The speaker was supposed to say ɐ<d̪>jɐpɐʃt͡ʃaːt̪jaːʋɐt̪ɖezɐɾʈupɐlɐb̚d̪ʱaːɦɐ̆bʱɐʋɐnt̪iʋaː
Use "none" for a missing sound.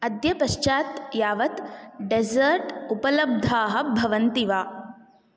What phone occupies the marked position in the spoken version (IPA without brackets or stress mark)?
d̪